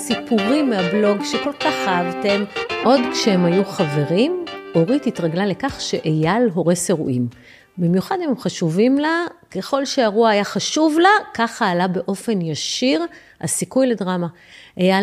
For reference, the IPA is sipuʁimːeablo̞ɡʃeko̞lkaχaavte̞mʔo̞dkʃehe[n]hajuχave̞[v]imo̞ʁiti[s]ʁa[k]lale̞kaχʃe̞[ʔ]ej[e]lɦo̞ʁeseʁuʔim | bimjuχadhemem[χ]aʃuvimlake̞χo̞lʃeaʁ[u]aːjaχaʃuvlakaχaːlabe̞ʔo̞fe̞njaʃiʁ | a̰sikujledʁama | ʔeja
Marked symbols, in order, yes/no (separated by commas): no, no, no, no, yes, no, yes, yes